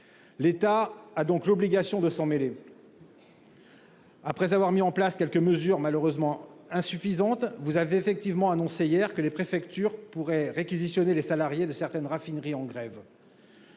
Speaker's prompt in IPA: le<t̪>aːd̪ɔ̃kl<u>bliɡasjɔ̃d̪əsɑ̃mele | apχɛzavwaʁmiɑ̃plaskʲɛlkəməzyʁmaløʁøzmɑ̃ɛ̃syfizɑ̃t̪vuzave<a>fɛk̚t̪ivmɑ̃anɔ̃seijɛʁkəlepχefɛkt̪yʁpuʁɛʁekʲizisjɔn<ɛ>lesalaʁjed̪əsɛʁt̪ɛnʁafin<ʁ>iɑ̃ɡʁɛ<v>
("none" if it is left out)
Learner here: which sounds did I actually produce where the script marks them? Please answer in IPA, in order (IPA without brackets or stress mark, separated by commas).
t̪, ɔ, e, e, ʁ, v